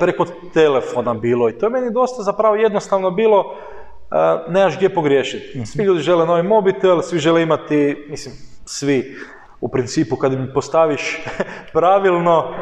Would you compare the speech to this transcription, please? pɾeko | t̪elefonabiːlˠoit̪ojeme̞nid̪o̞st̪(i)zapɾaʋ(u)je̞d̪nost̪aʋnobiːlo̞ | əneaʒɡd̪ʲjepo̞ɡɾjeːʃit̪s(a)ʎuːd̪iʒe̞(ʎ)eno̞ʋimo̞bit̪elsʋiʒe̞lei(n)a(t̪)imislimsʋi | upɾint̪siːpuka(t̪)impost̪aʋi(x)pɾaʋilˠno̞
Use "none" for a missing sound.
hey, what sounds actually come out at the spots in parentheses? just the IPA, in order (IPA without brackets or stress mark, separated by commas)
a, o, i, l, m, t̪, d̪, ʃ